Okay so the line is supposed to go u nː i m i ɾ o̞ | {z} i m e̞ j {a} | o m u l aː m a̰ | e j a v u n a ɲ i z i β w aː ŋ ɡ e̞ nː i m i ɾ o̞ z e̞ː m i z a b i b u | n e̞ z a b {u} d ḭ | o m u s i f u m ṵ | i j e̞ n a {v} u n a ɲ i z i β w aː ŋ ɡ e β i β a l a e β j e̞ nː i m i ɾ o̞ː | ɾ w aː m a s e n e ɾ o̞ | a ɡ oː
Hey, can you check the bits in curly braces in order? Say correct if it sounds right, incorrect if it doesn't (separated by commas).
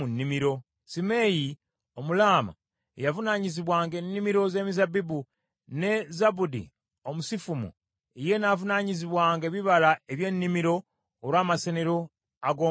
incorrect, incorrect, correct, correct